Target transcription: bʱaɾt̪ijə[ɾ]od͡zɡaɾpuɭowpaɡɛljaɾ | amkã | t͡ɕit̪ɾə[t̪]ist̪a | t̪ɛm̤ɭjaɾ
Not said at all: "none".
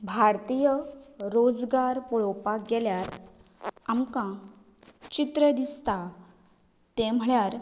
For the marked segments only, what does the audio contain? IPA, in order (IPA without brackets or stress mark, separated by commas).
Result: ɾ, d̪